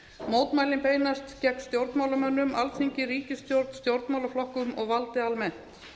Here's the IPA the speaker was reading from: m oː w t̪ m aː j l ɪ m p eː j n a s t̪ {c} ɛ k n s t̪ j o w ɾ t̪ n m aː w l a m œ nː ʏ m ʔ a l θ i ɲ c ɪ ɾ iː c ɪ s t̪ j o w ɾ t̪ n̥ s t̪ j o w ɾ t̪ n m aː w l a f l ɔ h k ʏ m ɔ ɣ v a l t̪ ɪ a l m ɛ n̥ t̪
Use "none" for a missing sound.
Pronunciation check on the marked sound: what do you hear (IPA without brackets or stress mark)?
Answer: c